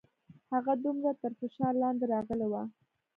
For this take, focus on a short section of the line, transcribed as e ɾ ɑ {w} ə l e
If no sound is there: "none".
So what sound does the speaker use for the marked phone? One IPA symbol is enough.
ɣ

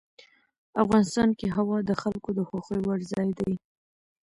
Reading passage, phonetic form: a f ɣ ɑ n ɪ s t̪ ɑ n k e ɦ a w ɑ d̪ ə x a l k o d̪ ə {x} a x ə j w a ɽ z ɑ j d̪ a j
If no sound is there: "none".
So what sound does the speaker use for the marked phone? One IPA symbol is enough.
x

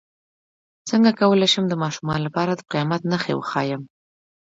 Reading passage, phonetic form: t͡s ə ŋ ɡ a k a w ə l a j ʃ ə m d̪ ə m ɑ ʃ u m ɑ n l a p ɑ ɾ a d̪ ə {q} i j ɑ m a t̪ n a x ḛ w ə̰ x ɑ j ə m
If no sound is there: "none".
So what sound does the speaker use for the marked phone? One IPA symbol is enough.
q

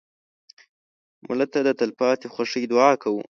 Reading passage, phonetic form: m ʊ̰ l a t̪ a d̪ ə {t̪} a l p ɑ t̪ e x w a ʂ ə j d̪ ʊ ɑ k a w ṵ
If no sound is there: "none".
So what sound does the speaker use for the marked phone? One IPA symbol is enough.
t̪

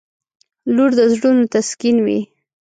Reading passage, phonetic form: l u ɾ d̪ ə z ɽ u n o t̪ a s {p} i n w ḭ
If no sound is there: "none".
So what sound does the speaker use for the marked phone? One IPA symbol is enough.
k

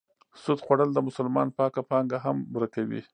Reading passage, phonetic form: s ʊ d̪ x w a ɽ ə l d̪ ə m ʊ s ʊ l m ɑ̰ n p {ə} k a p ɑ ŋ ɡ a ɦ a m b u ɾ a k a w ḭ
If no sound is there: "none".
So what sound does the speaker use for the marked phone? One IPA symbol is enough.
ɑ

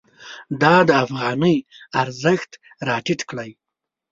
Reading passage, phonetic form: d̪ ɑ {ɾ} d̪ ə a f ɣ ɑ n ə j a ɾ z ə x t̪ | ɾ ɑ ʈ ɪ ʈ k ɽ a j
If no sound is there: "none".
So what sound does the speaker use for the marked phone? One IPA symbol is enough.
none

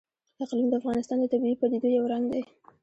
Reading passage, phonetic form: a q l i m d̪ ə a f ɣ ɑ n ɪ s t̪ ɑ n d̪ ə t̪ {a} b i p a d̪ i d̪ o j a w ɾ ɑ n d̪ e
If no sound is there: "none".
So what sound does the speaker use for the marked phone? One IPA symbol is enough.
a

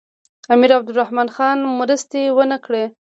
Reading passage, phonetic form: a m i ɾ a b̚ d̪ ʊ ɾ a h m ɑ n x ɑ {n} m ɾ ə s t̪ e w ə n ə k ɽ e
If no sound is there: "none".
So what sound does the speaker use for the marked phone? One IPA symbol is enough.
n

